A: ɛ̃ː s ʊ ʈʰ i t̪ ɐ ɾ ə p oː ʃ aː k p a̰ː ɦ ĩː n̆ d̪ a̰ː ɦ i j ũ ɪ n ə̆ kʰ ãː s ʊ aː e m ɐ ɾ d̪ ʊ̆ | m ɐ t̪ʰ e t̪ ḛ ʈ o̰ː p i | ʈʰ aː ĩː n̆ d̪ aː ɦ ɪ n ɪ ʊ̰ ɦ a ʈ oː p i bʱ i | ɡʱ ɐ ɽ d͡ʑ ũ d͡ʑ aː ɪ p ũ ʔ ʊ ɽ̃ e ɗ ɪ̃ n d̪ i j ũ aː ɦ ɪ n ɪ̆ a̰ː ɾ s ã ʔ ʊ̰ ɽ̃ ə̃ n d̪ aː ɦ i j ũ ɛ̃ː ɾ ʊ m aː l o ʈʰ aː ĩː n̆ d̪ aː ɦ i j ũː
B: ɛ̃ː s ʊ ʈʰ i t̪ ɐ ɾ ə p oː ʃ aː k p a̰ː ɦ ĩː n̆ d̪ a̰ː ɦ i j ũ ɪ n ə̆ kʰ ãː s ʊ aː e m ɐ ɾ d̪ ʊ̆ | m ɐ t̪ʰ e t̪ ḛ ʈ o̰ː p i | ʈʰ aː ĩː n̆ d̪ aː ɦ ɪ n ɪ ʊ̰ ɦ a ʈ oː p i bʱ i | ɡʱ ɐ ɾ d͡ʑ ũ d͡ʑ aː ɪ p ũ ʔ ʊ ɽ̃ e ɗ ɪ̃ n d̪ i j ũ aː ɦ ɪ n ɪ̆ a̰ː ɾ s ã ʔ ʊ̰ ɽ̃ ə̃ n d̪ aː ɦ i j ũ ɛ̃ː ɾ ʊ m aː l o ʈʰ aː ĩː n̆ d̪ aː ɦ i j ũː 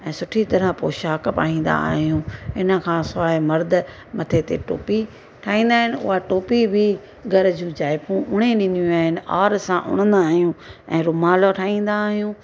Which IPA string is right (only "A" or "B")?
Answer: B